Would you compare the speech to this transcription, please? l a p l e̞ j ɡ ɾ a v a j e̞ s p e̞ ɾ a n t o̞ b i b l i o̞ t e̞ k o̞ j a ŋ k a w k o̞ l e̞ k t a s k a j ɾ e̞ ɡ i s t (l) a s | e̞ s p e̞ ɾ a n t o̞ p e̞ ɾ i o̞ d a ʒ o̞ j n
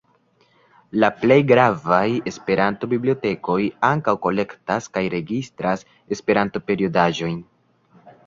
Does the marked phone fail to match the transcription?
yes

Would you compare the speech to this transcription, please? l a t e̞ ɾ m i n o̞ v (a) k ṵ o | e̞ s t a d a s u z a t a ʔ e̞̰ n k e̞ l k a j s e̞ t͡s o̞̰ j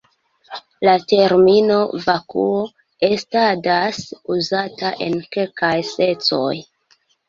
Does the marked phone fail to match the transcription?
no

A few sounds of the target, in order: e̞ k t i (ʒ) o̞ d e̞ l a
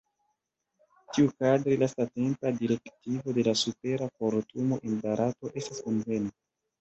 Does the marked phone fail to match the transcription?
yes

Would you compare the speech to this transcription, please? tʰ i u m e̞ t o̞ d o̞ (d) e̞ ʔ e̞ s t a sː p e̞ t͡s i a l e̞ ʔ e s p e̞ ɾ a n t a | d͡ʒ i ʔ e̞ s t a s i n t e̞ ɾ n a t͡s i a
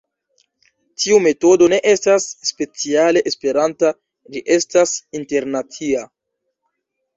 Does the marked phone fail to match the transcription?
yes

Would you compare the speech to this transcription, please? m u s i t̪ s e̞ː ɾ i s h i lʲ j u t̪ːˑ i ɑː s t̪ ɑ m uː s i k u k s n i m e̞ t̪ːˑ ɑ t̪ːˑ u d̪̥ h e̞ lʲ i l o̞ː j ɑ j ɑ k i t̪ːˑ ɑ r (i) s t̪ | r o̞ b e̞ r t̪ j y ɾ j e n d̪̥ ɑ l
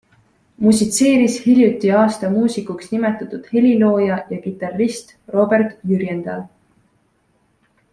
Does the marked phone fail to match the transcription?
no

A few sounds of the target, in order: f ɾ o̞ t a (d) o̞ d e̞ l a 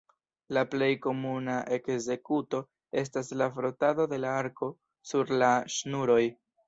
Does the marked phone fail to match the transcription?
no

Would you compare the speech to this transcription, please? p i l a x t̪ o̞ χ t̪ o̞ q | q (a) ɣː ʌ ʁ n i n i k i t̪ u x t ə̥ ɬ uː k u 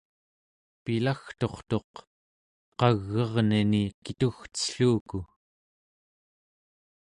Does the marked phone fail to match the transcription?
yes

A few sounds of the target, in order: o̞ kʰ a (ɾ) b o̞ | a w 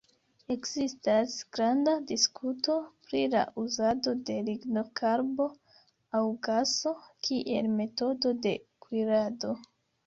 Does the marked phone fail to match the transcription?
no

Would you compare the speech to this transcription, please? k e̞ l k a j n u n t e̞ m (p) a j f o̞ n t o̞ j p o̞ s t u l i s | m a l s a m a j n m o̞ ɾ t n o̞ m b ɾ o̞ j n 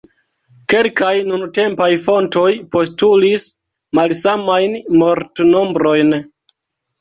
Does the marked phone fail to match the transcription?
no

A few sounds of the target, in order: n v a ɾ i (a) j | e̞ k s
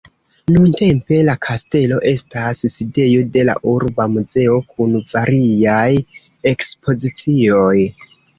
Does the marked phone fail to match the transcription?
no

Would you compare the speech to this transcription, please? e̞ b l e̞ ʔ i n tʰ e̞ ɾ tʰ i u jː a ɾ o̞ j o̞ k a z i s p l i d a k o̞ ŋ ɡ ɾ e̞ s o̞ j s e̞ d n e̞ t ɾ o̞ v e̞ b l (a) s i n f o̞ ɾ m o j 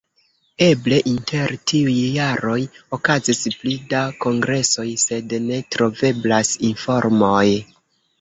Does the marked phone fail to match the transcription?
no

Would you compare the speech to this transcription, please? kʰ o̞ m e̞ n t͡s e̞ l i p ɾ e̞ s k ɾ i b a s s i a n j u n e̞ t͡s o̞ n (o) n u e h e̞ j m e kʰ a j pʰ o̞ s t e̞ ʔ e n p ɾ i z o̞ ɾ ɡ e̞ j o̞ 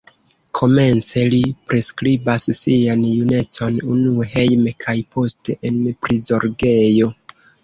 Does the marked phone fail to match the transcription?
yes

